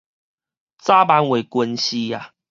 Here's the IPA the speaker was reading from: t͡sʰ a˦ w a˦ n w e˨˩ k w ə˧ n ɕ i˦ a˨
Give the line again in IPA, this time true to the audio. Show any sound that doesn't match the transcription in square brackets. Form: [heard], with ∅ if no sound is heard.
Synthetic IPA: [t͡s] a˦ [b] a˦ n w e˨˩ k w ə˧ n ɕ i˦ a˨